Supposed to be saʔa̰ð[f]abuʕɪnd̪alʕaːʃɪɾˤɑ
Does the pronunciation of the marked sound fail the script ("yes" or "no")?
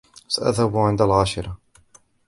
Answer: yes